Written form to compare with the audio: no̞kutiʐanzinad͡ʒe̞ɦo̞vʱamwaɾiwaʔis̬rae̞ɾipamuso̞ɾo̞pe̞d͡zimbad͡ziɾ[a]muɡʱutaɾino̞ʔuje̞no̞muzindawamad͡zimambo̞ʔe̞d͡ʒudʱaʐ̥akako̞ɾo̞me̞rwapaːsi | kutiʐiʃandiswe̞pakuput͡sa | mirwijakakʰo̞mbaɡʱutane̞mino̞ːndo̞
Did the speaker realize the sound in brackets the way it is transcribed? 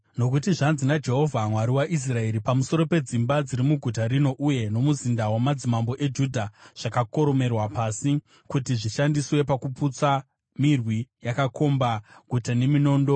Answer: no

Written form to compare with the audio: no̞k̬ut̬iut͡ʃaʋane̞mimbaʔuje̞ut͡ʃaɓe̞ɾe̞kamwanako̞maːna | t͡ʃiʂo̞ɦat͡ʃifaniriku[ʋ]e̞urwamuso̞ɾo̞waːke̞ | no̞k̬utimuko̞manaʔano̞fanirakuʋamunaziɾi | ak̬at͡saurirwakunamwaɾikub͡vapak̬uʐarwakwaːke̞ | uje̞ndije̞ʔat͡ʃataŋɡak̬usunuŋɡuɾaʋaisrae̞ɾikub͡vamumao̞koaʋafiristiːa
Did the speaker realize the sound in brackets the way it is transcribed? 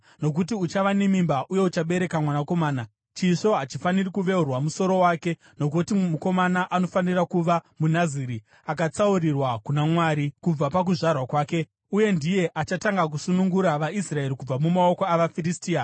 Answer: yes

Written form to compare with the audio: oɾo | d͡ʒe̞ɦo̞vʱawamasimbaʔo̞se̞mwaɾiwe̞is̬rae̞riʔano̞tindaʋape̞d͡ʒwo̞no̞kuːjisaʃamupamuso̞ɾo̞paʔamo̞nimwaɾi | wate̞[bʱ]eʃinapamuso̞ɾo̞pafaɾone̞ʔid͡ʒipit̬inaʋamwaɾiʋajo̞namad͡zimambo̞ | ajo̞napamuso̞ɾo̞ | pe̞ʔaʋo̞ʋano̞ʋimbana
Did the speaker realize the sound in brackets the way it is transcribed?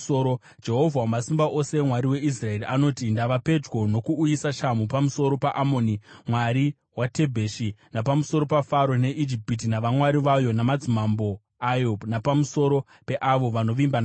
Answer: yes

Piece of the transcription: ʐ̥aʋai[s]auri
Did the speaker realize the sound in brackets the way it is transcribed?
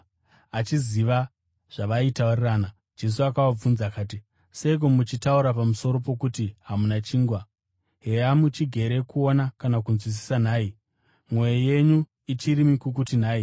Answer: no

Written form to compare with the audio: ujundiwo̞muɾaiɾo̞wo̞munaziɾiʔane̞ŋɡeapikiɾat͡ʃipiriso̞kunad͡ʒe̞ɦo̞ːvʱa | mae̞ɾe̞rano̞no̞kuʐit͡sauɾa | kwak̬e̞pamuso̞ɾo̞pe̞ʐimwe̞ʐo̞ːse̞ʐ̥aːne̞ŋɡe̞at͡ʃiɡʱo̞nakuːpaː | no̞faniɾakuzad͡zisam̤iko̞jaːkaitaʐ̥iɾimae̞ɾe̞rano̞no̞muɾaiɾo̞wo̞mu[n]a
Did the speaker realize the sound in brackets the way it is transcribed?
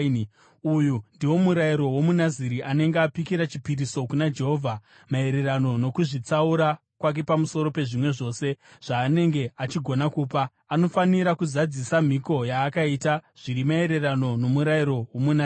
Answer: yes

